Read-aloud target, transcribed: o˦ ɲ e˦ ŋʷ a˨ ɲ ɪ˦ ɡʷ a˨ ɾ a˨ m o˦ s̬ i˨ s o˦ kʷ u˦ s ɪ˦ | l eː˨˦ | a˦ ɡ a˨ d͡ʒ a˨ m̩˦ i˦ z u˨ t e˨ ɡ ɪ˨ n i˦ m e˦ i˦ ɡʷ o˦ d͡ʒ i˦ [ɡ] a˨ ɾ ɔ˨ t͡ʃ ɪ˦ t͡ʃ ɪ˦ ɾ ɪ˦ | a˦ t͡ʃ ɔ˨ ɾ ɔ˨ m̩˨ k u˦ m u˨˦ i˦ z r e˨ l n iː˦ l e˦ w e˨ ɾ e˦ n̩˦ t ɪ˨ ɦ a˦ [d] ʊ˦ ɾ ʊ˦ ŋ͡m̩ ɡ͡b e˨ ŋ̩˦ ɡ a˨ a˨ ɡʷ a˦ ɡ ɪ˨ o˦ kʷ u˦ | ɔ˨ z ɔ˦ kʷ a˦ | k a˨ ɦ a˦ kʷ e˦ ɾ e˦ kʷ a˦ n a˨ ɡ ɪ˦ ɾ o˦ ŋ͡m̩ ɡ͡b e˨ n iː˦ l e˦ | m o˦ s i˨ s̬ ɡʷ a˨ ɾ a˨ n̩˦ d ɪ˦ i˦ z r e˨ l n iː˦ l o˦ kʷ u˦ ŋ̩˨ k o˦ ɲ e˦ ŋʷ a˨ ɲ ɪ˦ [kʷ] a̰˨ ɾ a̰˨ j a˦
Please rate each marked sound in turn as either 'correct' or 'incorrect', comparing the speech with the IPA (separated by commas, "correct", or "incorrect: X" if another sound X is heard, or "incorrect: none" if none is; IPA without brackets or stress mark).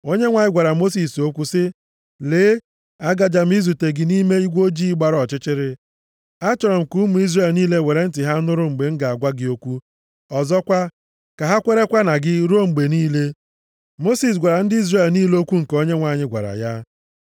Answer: incorrect: ɡ͡b, incorrect: n, incorrect: ɡʷ